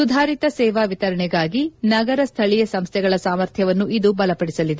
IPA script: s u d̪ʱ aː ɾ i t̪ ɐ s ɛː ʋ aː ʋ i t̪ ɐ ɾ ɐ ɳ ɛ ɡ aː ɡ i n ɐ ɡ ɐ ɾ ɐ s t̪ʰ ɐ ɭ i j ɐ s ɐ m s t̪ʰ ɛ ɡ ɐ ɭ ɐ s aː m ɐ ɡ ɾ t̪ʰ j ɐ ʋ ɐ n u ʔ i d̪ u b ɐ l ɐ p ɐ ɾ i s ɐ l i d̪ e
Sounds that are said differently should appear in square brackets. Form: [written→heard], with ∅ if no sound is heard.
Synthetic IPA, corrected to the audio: s u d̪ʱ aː ɾ i t̪ ɐ s ɛː ʋ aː ʋ i t̪ ɐ ɾ ɐ ɳ ɛ ɡ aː ɡ i n ɐ ɡ ɐ ɾ ɐ s t̪ʰ ɐ ɭ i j ɐ s ɐ m s t̪ʰ ɛ ɡ ɐ ɭ ɐ s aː m ɐ [ɡ→∅] ɾ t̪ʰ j ɐ ʋ ɐ [n→nː] u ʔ i d̪ u b ɐ l ɐ p ɐ [ɾ→ɽ] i s ɐ l i d̪ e